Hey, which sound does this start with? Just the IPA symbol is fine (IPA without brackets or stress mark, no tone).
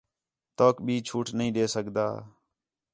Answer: t̪